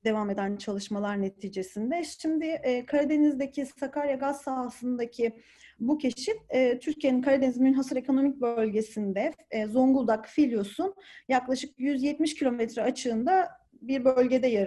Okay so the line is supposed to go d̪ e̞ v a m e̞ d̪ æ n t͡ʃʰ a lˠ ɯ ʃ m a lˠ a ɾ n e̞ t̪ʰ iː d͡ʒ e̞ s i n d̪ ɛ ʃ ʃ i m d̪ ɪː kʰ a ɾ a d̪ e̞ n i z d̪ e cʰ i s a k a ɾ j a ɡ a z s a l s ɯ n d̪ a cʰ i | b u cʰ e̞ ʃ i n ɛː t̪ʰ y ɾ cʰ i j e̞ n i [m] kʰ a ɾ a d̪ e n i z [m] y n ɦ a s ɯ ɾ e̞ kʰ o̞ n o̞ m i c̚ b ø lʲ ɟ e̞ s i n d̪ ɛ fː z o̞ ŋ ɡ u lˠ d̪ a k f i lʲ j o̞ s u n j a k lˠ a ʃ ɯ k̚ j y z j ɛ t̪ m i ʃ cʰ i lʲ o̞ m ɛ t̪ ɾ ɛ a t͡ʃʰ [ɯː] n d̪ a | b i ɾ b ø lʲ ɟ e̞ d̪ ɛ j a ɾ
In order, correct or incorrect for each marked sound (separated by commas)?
incorrect, correct, correct